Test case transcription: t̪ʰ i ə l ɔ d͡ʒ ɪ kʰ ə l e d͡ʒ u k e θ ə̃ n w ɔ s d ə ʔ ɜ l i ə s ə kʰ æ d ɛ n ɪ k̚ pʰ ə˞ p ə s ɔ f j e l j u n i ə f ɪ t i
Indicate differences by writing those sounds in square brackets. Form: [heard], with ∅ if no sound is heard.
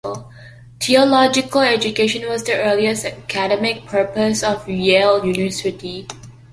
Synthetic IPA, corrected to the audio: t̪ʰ i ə l ɔ d͡ʒ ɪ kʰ ə l [ɛ] d͡ʒ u k e [ʃ] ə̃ n w ɔ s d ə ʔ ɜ l i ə s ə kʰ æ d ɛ [m] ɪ k̚ pʰ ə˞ p ə s ɔ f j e l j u n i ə [s] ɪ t i

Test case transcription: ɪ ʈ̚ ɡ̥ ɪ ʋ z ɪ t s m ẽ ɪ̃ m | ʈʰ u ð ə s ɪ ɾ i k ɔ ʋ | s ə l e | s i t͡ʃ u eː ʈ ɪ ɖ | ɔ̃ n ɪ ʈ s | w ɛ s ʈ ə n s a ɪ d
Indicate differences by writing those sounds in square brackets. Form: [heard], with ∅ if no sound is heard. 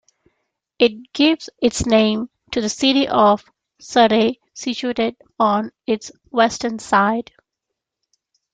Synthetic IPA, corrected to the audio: ɪ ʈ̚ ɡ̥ ɪ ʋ z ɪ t s [n] ẽ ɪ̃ m | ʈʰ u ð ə s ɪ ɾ i [ʔ] ɔ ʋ | s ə [ɾ] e | s i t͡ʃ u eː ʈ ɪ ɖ | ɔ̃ n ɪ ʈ s | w ɛ s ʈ ə n s a ɪ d

